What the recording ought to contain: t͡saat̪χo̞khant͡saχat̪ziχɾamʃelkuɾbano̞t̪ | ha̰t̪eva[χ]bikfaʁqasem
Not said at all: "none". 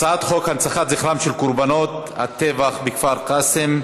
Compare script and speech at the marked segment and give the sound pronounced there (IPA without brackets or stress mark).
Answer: χ